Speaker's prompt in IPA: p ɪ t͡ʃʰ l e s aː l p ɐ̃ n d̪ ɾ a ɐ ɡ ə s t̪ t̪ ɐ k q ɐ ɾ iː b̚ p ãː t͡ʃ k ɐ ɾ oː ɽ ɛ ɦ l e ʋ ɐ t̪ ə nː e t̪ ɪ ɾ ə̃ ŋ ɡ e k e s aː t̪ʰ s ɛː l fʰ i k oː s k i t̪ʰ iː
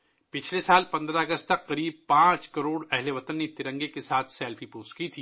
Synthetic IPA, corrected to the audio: p ɪ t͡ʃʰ l e s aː l p ɐ̃ n d̪ ɾ a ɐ ɡ ə s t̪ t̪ ɐ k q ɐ ɾ iː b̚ p ãː t͡ʃ k ɐ ɾ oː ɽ ɛ ɦ l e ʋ ɐ t̪ ə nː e t̪ ɪ ɾ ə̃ ŋ ɡ e k e s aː t̪ʰ s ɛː l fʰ i p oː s k i t̪ʰ iː